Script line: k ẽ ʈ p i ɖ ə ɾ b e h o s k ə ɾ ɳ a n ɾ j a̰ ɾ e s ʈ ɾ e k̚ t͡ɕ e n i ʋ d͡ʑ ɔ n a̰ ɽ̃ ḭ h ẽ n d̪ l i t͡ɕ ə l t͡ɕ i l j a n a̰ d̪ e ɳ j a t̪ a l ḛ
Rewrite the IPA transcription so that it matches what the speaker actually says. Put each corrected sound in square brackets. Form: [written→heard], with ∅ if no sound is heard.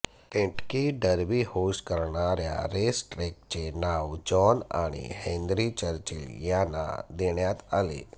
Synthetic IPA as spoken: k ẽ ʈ [p→k] i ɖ ə ɾ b [e→i] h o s k ə ɾ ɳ a [n→∅] ɾ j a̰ ɾ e s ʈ ɾ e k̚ t͡ɕ e n [i→a] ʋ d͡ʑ ɔ n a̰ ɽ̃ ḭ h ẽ n d̪ [l→ɾ] i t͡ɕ ə [l→ɾ] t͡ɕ i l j a n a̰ d̪ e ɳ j a t̪ a l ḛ